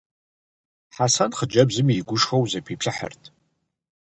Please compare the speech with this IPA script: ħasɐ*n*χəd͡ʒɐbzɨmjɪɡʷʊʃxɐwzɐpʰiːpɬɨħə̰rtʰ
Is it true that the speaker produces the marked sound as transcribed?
yes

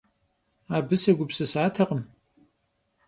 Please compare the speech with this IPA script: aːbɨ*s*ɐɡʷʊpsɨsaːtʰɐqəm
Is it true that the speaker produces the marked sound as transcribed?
yes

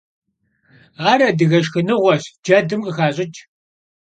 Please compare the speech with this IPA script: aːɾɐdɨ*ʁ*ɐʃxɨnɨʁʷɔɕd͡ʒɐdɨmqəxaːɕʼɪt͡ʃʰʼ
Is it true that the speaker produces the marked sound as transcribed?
no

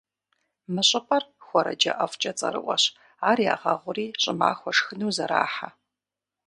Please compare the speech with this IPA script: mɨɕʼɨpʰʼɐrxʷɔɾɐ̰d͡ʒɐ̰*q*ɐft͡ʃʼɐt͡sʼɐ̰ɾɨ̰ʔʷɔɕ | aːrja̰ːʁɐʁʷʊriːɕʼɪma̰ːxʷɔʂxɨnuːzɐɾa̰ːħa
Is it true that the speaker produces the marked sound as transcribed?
no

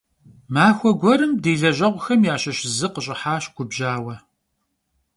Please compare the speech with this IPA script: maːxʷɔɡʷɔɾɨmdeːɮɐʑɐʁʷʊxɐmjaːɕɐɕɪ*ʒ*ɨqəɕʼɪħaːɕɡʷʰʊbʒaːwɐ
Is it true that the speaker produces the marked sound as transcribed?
no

